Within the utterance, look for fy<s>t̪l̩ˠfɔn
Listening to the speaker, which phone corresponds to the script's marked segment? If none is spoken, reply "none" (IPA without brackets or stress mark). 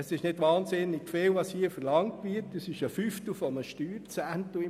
f